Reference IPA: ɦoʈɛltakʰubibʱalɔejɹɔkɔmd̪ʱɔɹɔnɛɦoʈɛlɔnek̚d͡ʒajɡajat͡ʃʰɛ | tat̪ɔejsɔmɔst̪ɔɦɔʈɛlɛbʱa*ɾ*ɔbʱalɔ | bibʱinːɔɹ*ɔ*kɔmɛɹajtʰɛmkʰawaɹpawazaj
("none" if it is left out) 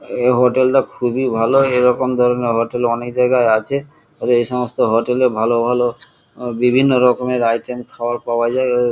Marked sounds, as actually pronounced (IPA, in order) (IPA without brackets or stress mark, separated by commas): l, ɔ